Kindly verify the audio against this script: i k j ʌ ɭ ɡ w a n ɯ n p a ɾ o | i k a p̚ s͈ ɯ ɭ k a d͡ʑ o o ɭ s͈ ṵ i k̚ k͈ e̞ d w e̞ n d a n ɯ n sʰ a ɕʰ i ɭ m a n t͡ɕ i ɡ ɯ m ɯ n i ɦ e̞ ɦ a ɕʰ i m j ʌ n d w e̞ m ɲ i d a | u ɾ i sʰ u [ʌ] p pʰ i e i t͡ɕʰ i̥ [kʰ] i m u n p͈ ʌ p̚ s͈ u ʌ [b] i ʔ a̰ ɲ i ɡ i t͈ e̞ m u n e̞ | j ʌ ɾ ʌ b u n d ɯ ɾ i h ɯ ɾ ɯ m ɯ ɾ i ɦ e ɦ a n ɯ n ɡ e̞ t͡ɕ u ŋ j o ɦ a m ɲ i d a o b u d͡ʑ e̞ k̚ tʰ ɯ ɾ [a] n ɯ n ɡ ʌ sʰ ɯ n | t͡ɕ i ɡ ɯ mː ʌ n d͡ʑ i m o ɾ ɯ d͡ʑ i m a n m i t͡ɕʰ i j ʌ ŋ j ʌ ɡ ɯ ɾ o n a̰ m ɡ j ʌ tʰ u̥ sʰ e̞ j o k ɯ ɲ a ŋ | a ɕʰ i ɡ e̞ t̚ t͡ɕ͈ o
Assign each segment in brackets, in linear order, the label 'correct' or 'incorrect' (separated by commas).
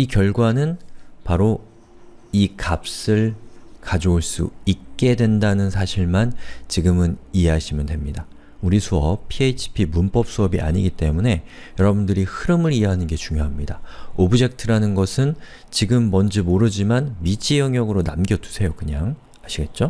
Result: correct, incorrect, correct, correct